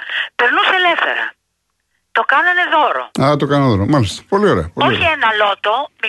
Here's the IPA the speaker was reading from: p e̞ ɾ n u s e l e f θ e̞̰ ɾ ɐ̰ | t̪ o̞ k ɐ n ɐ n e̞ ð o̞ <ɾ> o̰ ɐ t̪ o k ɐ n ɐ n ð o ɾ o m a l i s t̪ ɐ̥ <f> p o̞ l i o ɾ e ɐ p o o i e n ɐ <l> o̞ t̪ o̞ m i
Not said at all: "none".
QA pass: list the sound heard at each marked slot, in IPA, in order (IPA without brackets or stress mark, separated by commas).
ɾ, none, l